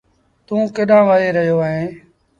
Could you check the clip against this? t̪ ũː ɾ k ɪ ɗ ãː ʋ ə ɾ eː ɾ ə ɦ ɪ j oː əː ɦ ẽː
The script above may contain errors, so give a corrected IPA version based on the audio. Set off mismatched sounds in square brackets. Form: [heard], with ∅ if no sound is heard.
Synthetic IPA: t̪ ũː [∅] k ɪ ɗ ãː ʋ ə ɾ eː ɾ ə ɦ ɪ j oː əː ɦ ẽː